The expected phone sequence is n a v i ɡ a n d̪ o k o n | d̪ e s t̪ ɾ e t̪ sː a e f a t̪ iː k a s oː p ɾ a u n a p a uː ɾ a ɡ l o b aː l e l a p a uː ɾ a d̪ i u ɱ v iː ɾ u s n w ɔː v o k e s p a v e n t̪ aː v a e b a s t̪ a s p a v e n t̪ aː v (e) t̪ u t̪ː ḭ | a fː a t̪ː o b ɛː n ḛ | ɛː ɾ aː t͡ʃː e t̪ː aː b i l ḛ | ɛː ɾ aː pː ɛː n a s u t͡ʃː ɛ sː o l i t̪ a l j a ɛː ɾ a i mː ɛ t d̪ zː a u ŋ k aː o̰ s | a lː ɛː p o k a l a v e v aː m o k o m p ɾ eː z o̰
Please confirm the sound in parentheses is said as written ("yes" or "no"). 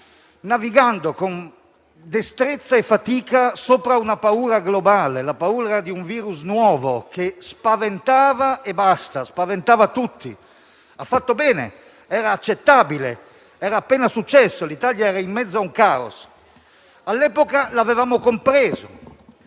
no